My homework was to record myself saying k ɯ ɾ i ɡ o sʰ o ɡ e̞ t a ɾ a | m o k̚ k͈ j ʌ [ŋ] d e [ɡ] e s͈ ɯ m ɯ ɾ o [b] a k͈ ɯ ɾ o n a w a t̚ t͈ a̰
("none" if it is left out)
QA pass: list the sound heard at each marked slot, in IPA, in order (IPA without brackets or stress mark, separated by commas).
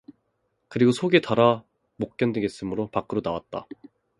n, ɡ, p